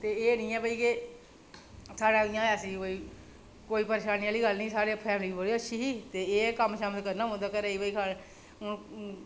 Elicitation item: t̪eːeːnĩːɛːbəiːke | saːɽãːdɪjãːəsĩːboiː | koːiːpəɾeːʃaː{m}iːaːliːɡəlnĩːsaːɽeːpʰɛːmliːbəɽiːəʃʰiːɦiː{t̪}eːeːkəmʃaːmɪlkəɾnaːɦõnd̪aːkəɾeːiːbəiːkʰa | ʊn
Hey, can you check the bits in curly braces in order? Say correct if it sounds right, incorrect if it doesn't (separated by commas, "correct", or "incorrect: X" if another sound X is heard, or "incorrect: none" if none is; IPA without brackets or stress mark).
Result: incorrect: n, correct